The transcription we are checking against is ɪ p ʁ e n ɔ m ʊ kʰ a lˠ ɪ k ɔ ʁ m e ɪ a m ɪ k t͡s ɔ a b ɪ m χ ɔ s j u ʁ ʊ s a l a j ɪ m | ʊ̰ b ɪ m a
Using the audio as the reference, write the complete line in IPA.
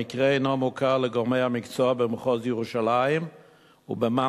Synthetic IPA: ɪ k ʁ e n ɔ m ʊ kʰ a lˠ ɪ ɡ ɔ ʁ m e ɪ a m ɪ k t͡s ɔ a b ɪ m χ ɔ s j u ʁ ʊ ʃ a l a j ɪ m | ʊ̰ b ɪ m a